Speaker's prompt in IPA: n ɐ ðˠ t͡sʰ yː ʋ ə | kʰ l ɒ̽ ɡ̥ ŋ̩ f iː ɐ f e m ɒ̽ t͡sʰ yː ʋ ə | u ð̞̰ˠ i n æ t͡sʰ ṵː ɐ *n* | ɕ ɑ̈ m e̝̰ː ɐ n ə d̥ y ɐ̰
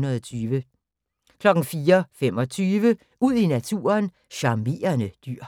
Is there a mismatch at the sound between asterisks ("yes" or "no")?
no